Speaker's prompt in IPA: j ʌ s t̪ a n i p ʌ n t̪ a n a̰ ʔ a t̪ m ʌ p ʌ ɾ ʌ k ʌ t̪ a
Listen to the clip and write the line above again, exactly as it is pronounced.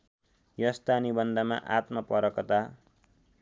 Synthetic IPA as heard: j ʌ s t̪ a n i b ʌ n d̪ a m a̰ ʔ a t̪ m ʌ p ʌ ɾ ʌ k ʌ t̪ a